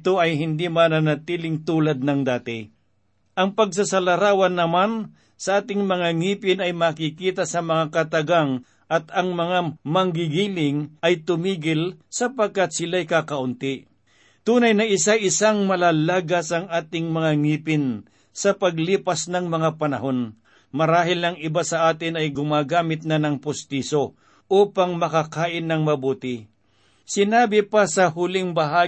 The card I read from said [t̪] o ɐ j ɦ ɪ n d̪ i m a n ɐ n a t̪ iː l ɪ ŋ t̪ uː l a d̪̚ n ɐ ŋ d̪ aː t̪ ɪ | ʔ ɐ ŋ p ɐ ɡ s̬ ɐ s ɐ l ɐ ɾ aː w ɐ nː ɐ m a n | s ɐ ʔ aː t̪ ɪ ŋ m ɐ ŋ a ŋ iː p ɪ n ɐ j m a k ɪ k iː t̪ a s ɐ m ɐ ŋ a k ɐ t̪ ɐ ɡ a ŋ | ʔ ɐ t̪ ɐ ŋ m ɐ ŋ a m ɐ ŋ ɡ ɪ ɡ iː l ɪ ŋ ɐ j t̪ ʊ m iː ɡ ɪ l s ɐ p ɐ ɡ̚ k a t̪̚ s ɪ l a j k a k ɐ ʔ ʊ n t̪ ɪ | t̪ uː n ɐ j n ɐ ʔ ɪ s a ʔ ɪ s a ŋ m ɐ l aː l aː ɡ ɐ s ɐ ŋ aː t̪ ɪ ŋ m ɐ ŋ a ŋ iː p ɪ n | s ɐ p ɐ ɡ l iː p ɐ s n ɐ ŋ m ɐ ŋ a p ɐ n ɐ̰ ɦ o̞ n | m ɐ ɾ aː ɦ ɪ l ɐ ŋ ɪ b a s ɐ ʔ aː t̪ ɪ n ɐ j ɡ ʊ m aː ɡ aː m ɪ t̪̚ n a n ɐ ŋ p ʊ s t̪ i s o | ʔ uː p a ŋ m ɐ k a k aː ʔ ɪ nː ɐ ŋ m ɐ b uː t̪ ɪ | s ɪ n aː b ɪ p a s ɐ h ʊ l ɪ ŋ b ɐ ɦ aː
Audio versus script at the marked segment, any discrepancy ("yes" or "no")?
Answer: no